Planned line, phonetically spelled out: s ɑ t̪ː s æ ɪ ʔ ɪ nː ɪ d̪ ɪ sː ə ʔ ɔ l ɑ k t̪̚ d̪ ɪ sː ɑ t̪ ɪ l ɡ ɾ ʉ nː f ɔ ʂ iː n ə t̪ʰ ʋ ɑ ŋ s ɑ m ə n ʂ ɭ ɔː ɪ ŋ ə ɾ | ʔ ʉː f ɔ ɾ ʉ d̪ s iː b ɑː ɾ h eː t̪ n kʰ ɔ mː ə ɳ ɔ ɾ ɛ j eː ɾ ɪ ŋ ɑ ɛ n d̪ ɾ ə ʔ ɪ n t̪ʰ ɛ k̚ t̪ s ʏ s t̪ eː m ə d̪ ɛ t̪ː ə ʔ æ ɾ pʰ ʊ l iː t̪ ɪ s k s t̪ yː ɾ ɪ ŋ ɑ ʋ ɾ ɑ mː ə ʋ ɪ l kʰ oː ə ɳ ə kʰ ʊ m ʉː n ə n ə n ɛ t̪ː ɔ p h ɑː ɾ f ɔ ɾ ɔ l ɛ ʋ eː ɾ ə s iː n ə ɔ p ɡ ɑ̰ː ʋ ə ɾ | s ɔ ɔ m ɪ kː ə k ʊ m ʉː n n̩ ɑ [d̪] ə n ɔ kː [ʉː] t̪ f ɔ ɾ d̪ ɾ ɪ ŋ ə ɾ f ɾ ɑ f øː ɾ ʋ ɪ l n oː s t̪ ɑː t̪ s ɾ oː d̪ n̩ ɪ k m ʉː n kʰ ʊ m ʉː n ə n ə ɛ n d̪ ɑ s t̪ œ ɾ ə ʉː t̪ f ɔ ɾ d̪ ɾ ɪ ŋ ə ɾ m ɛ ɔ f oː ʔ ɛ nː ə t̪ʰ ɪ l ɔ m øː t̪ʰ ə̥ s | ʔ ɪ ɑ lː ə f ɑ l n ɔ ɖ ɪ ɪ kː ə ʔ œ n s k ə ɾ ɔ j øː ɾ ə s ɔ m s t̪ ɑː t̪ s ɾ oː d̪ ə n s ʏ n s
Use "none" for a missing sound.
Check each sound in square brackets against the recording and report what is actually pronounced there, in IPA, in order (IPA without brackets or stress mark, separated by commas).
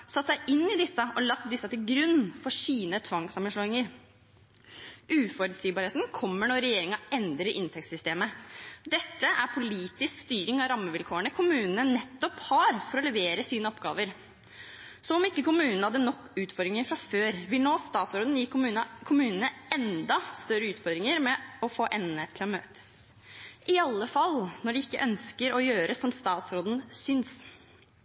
d̪, ʉː